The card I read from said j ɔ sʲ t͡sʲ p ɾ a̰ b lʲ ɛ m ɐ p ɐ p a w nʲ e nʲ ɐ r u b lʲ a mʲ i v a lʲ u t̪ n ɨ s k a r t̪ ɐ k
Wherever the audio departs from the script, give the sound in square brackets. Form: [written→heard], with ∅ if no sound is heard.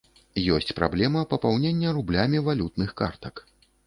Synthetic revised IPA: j ɔ sʲ t͡sʲ p ɾ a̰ b lʲ ɛ m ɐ p ɐ p a w nʲ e [nʲ→nʲː] ɐ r u b lʲ a mʲ i v a lʲ u t̪ n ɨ [s→x] k a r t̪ ɐ k